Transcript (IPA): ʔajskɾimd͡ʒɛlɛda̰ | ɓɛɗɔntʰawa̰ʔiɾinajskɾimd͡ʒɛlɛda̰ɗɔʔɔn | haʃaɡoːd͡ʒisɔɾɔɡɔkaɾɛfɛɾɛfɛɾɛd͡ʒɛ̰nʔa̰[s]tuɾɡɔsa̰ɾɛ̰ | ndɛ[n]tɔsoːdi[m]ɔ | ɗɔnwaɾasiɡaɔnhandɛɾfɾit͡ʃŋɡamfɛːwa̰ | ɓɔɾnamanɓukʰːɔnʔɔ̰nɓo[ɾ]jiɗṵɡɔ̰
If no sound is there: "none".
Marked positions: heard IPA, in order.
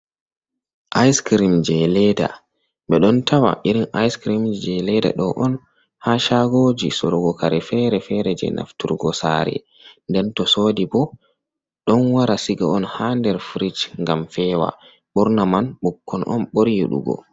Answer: f, n, b, ɾ

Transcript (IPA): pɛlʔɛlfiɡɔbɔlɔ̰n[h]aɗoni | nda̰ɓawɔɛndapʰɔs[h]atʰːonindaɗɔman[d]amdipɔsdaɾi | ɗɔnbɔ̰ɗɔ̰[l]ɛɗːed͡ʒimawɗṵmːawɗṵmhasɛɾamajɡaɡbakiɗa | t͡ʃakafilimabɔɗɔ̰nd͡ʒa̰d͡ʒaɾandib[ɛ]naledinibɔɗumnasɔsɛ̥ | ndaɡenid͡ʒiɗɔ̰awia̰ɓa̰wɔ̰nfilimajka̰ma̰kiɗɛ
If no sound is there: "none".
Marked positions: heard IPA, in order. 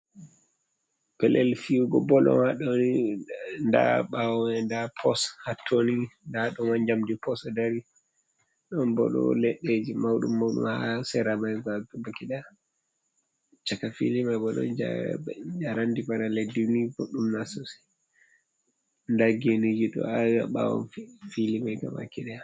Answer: h, h, d͡ʒ, l, a

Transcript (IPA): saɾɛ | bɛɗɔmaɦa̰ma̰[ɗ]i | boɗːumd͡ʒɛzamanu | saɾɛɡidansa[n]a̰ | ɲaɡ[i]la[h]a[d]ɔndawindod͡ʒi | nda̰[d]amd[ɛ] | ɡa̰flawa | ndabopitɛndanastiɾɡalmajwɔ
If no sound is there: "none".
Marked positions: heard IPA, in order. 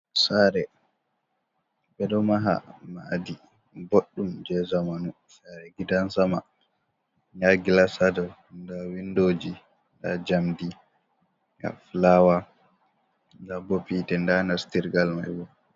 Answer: d, m, i, s, d, d͡ʒ, i

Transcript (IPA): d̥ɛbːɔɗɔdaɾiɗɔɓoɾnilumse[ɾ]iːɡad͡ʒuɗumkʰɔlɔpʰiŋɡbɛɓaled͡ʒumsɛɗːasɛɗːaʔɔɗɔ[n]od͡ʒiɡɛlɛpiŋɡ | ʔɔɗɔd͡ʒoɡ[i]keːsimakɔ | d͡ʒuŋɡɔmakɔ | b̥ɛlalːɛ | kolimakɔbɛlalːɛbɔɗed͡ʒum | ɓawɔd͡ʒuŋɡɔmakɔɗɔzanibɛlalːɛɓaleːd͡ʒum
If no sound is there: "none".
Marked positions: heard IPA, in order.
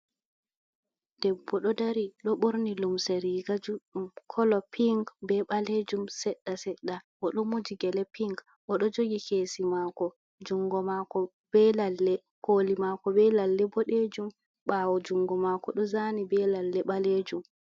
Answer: ɾ, m, i

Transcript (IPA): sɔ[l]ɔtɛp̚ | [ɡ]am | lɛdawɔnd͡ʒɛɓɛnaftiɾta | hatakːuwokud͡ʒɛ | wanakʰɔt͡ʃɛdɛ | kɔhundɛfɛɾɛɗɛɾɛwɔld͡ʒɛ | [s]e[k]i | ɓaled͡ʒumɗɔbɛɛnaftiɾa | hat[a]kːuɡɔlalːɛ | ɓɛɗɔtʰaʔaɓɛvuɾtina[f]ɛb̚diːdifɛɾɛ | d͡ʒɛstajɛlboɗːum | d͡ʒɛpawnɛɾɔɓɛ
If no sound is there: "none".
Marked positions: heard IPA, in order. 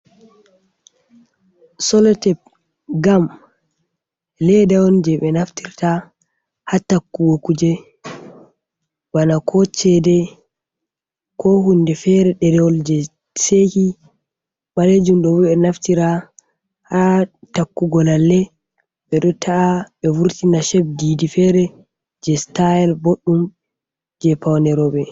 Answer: l, ɡ, s, k, a, ʃ

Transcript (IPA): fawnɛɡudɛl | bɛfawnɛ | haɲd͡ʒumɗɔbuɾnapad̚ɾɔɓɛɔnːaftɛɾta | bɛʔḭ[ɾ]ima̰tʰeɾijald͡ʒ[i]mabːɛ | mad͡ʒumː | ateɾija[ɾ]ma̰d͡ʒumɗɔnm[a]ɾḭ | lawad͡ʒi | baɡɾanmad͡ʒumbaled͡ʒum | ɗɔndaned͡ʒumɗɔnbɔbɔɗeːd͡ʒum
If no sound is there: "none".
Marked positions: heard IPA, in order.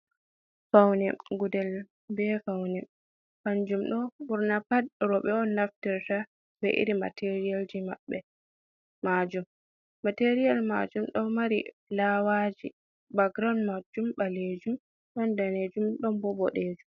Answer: ɾ, i, l, a

